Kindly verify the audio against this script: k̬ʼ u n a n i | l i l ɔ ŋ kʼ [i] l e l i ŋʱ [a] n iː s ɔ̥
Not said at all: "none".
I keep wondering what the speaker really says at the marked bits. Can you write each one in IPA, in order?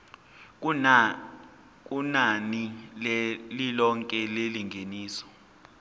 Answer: ɛ, e

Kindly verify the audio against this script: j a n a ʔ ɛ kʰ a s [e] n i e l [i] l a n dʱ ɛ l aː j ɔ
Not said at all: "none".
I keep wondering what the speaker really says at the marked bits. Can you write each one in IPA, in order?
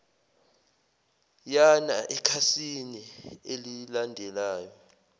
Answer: i, i

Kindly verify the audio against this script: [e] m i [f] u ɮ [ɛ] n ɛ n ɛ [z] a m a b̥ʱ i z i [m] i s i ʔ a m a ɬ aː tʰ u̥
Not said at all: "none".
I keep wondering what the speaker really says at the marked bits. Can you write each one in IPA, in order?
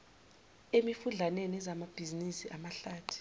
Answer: e, f, a, z, n

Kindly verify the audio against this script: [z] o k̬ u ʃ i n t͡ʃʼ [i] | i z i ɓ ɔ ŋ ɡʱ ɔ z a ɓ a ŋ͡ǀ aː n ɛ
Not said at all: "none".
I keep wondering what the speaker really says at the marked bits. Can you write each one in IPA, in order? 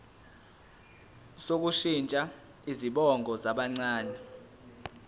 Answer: s, a

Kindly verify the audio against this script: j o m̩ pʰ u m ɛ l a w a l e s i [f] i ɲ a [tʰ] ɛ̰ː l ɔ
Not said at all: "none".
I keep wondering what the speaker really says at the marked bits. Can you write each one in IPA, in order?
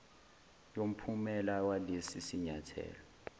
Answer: s, tʰ

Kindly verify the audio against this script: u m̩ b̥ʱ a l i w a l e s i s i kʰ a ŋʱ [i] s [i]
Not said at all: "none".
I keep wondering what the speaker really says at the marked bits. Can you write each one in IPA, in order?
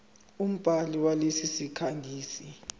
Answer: iː, i

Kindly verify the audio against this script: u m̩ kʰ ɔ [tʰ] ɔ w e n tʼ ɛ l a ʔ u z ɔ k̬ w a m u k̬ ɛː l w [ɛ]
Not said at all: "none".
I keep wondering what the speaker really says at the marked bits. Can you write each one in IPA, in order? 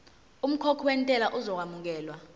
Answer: kʰ, a

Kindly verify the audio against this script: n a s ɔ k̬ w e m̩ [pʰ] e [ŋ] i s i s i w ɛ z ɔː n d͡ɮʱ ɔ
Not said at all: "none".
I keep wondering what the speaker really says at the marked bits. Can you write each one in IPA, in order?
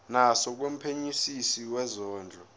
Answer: pʰ, ɲ

